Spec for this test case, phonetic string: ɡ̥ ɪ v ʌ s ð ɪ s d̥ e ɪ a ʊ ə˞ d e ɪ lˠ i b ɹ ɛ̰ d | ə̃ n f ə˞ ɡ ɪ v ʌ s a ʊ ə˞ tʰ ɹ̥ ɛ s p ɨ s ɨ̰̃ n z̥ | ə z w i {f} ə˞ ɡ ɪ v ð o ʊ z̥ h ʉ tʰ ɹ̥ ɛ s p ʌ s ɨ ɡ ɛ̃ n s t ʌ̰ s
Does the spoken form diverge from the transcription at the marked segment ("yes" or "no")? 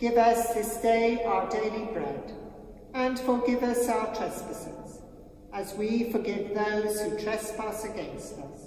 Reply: no